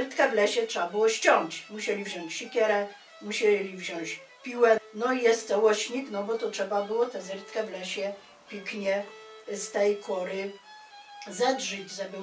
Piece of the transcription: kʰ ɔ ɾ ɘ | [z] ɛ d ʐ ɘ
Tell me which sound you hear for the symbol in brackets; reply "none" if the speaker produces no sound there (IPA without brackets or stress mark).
z